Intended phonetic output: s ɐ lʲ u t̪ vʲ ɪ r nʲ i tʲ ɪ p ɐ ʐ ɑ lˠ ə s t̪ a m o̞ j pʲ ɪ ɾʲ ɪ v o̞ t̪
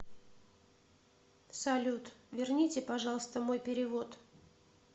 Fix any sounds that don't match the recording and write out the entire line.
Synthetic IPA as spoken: s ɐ lʲ u t̪ vʲ ɪ r nʲ i tʲ ɪ p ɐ ʐ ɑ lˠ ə s t̪ ə m o̞ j pʲ ɪ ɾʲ ɪ v o̞ t̪